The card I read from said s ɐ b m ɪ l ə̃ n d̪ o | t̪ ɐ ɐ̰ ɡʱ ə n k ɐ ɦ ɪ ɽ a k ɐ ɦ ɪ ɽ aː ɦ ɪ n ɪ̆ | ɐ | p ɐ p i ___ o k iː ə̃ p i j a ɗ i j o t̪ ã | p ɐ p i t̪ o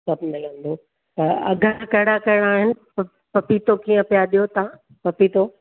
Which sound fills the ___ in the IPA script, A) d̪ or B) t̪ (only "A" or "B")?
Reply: B